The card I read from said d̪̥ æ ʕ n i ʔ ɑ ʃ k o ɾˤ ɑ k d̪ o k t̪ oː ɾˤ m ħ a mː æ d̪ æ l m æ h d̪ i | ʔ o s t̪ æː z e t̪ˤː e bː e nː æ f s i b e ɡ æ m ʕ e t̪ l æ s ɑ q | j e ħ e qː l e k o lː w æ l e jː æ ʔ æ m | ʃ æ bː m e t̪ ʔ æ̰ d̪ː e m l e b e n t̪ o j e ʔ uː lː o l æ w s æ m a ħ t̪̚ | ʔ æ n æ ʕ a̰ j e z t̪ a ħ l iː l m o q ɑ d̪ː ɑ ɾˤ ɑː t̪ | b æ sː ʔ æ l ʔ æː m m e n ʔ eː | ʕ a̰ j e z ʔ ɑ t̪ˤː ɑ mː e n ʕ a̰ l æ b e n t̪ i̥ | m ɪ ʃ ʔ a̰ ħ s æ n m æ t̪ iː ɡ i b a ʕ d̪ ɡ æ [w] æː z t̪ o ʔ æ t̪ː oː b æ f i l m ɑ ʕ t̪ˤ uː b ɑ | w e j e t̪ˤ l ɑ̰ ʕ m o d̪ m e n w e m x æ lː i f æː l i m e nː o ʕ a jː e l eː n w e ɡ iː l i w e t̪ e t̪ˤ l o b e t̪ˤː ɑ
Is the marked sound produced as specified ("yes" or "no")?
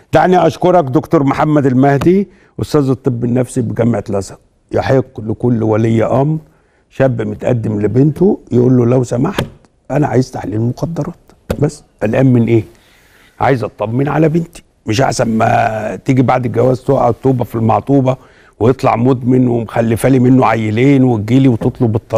yes